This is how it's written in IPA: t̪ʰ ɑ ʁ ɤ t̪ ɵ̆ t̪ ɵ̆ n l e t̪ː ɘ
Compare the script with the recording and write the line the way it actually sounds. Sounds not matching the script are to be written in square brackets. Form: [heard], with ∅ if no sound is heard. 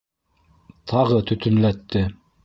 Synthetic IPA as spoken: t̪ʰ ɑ ʁ ɤ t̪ ɵ̆ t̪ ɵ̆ n l [æ] t̪ː ɘ